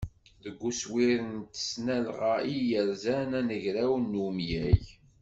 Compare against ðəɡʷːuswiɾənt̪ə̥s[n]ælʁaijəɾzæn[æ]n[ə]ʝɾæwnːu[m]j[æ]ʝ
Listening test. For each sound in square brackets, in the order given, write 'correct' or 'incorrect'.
correct, correct, correct, correct, correct

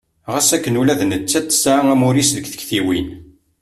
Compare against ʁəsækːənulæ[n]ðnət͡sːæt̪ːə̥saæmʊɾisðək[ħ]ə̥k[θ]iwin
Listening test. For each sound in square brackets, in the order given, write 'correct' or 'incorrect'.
incorrect: none, incorrect: θ, correct

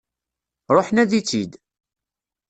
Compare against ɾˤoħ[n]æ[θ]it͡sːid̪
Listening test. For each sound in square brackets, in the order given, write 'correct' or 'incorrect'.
correct, incorrect: ð

